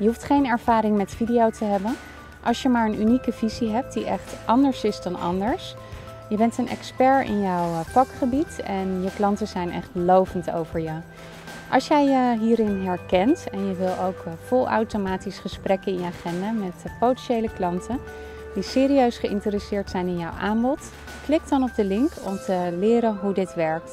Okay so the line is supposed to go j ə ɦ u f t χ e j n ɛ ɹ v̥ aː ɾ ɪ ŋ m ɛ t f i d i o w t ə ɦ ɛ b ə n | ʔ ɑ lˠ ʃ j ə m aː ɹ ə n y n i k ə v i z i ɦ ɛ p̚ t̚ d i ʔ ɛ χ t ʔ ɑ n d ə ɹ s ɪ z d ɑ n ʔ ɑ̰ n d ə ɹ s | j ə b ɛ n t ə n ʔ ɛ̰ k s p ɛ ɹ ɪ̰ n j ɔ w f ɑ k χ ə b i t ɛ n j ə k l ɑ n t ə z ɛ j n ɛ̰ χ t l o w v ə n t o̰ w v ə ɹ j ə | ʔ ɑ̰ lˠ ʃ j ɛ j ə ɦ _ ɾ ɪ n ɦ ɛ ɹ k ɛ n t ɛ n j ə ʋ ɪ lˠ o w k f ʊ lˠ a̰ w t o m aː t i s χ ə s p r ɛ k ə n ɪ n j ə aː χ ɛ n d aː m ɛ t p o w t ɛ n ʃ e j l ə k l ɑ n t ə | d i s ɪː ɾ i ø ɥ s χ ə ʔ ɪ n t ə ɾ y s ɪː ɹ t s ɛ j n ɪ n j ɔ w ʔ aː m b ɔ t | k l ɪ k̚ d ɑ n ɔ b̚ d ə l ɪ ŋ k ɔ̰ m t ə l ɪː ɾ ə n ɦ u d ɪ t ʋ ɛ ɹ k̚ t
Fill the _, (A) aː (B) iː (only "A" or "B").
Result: B